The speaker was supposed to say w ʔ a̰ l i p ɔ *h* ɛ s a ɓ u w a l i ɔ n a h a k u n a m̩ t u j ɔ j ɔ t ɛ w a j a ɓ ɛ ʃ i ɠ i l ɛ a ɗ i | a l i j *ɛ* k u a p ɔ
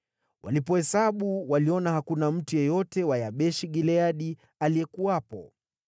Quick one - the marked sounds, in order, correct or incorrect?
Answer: correct, correct

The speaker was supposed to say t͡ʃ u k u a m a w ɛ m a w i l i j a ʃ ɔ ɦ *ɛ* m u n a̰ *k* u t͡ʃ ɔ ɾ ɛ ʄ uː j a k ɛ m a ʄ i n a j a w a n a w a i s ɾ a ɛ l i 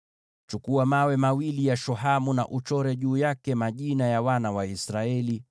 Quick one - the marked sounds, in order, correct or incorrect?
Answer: incorrect: a, incorrect: ʔ

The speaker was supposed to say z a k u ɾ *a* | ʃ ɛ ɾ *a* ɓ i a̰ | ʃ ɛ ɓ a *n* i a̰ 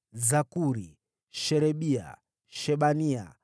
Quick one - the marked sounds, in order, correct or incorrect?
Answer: incorrect: i, incorrect: ɛ, correct

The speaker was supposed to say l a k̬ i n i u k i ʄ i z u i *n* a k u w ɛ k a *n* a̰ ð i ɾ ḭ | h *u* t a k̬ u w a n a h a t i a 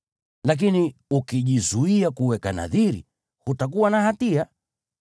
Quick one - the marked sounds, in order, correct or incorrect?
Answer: incorrect: none, correct, correct

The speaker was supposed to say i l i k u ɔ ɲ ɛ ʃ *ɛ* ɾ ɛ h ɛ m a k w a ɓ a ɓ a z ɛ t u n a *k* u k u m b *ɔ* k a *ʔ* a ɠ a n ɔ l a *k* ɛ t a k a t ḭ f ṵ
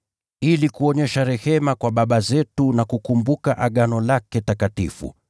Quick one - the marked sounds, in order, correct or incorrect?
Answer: incorrect: a, correct, incorrect: u, correct, correct

